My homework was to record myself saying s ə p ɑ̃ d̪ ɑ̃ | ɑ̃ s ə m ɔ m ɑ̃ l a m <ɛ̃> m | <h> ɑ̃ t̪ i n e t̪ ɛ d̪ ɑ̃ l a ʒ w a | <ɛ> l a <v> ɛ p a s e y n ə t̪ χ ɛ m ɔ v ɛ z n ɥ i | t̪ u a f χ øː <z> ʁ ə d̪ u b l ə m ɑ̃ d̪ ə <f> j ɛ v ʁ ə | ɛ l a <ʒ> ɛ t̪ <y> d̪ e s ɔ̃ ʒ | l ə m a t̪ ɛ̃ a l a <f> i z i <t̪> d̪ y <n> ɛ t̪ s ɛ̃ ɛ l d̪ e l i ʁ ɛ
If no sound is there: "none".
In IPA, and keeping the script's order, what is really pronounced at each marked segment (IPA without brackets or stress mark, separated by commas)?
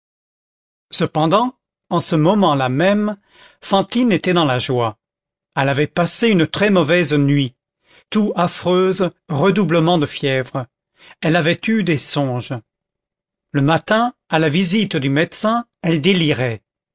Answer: ɛ, f, ɛ, v, z, f, v, y, v, t̪, m